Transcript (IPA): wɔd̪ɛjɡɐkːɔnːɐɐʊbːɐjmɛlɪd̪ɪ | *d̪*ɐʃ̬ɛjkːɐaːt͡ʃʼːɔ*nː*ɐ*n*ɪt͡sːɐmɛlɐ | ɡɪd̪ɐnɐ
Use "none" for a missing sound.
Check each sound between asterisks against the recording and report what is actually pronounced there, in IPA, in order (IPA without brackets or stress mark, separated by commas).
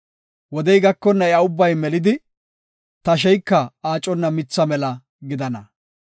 t̪, nː, m